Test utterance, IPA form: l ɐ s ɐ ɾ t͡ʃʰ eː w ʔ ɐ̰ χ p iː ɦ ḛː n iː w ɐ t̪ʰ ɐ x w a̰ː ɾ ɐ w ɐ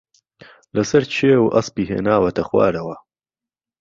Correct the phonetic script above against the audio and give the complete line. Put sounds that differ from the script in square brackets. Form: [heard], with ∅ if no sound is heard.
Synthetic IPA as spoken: l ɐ s ɐ ɾ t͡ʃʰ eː w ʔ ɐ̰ [s] p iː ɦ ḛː n [aː] w ɐ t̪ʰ ɐ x w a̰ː ɾ ɐ w ɐ